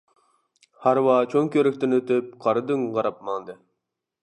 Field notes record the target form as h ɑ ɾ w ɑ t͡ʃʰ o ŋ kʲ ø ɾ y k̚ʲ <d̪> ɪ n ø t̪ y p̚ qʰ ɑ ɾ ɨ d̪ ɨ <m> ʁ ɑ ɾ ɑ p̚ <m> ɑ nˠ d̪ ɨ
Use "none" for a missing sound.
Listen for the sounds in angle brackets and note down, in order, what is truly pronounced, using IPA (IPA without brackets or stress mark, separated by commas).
t̪, ŋ, m